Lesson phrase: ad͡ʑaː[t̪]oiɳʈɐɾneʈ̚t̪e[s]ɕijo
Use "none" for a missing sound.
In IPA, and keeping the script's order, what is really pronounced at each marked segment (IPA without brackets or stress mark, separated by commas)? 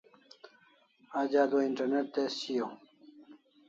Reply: d̪, s